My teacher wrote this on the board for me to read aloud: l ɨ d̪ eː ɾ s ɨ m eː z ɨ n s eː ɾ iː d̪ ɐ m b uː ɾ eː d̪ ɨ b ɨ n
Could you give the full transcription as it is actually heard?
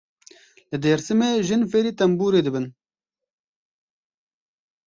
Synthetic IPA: l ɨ d̪ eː ɾ s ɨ m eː ʒ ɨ n f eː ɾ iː t̪ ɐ m b uː ɾ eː d̪ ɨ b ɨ n